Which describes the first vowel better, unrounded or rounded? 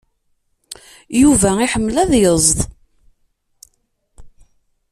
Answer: rounded